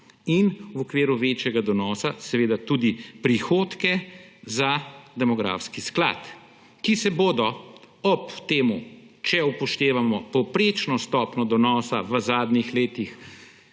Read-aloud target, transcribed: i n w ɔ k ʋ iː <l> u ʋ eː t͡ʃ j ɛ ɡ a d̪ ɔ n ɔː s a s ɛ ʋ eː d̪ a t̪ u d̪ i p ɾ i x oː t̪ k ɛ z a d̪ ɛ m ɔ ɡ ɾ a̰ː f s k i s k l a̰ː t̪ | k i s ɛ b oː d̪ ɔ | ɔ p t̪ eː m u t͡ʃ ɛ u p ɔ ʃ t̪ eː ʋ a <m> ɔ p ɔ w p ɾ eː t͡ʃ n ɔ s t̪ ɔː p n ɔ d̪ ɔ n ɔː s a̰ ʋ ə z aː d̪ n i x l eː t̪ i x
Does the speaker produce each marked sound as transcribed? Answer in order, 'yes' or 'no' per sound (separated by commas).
no, yes